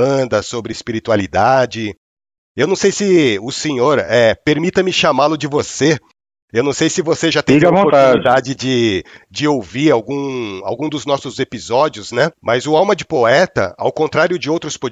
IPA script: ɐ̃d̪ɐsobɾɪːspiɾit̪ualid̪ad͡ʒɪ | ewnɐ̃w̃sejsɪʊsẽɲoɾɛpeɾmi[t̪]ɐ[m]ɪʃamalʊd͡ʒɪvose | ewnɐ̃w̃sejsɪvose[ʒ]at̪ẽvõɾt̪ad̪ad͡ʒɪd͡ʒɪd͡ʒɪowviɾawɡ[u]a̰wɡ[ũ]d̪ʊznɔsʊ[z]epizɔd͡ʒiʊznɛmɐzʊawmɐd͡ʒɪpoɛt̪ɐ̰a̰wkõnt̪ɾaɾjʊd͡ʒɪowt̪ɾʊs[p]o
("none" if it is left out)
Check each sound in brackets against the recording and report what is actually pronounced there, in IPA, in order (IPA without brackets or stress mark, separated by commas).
t̪, m, ʒ, ũ, ũ, z, p